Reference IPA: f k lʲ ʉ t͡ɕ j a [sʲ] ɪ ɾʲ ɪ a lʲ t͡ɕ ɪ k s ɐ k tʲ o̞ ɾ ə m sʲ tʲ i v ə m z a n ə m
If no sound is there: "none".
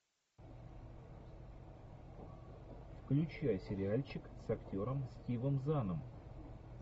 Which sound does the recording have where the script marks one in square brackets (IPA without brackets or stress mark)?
sʲ